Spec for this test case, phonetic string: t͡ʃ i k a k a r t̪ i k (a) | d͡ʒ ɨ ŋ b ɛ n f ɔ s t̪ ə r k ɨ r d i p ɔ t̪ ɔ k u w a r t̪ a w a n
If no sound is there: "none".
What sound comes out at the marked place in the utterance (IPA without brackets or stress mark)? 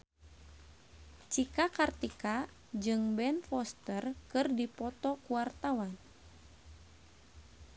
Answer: a